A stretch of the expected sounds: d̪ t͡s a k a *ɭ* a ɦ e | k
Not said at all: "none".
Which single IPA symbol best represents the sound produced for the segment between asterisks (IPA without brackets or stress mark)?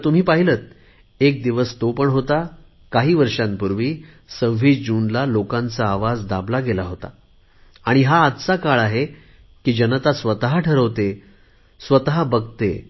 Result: ɭ